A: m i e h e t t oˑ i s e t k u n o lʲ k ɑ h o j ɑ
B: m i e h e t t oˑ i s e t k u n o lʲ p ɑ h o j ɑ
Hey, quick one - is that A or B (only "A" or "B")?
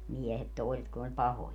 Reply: B